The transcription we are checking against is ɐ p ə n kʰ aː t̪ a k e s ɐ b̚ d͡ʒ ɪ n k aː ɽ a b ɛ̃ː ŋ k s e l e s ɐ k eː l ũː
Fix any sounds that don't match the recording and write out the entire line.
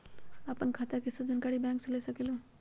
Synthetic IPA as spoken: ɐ p ə n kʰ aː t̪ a k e s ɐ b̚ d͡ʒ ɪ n k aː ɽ i b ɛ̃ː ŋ k s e l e s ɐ k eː l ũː